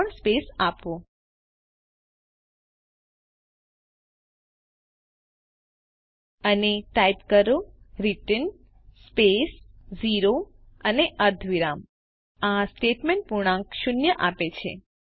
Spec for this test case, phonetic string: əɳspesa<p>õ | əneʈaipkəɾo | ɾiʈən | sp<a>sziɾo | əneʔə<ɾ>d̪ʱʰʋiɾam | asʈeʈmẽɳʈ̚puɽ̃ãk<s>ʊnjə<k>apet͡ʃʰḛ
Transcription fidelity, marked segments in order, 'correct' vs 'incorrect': correct, incorrect, correct, incorrect, incorrect

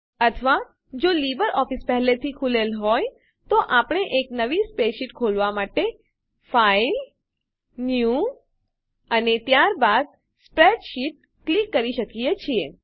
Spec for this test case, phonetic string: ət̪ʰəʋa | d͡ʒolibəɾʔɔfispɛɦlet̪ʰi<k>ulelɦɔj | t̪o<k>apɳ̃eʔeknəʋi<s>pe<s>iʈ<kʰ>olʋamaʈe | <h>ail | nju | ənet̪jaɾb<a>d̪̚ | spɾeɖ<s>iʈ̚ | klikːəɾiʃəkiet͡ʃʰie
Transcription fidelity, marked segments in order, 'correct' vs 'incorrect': incorrect, incorrect, correct, incorrect, correct, incorrect, correct, incorrect

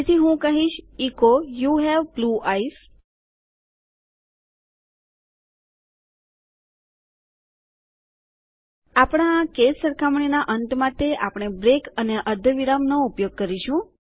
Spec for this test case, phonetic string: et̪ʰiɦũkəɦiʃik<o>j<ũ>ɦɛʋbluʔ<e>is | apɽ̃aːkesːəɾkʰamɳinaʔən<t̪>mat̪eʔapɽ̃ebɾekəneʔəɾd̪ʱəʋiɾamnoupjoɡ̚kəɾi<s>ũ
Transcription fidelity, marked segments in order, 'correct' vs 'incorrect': correct, incorrect, incorrect, correct, incorrect

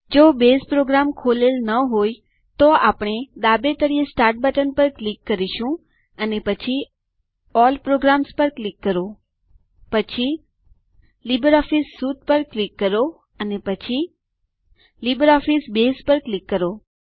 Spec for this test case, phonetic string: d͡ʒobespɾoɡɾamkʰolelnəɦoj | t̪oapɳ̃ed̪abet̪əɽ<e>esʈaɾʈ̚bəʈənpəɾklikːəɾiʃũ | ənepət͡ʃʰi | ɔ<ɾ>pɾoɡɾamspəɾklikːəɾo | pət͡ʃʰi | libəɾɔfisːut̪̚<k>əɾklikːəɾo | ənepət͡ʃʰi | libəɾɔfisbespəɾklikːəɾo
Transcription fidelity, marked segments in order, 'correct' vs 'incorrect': incorrect, incorrect, incorrect

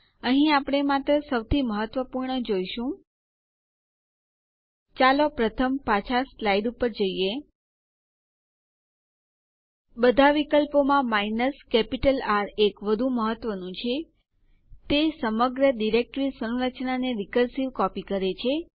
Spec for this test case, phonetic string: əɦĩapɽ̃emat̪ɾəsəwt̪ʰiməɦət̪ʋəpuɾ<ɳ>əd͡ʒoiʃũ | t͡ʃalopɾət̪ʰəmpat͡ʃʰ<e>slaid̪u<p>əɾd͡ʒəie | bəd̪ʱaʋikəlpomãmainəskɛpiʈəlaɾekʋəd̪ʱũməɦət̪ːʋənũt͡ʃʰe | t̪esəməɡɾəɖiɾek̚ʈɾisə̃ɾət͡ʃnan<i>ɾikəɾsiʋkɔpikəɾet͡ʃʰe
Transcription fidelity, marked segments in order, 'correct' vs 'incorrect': correct, incorrect, correct, incorrect

